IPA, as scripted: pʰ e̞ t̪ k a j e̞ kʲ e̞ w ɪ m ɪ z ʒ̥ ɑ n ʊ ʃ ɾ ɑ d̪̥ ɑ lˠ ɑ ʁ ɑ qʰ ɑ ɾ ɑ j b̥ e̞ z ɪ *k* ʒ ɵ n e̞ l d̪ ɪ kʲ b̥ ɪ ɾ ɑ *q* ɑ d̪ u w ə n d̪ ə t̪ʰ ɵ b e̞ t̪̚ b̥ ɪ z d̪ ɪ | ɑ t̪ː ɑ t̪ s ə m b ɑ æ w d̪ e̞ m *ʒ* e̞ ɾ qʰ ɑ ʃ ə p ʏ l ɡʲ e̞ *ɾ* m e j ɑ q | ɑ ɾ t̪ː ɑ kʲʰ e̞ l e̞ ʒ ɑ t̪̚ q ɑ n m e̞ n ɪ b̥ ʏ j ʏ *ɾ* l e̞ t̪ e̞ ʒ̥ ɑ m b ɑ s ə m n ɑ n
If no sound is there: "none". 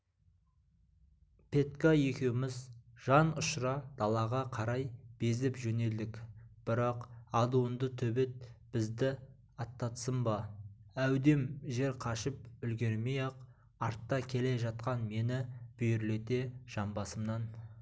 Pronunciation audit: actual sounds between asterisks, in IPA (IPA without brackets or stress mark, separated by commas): p, q, ʒ, ɾ, ɾ